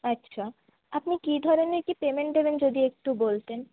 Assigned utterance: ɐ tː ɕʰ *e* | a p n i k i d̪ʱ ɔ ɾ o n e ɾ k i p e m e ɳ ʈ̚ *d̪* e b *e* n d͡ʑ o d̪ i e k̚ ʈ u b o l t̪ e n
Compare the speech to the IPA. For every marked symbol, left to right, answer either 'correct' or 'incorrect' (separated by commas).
incorrect, correct, correct